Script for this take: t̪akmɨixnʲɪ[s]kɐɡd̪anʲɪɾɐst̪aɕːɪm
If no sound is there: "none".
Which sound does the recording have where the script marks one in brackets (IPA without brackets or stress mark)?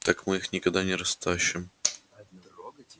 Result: none